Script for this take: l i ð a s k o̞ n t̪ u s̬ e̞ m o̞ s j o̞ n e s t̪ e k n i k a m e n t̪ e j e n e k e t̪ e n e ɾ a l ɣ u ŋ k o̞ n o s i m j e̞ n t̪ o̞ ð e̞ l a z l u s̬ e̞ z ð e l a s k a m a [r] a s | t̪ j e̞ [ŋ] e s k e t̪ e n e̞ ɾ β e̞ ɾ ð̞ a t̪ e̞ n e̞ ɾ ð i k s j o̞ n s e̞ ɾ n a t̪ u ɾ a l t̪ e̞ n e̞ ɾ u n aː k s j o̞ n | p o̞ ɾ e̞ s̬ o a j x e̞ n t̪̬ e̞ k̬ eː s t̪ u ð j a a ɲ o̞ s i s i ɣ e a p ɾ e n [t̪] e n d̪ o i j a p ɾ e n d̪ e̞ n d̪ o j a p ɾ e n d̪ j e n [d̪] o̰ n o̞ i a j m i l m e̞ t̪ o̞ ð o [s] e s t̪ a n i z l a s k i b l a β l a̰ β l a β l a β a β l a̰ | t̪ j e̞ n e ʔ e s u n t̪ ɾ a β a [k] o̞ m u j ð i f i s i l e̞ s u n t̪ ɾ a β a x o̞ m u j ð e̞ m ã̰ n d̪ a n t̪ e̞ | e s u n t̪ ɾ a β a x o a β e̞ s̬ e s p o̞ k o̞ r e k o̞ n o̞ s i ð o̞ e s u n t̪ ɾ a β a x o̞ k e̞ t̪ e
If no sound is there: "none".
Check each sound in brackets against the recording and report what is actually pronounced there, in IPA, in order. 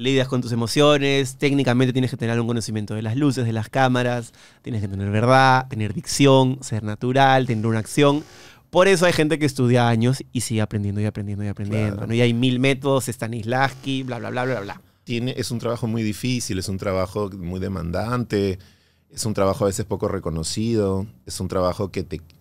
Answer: ɾ, n, d̪, d̪, s, x

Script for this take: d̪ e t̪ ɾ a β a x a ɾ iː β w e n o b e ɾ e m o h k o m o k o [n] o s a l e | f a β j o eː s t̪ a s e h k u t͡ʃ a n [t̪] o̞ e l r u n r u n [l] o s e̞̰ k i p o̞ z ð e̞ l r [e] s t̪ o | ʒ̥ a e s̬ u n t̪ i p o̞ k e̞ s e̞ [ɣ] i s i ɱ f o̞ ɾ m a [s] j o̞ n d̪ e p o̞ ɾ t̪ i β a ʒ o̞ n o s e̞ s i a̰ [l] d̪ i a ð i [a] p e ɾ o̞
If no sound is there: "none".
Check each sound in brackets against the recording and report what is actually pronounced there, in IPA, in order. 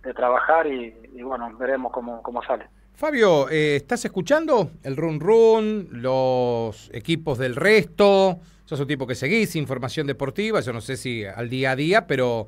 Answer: m, d̪, l, e, ɣ, s, l, a

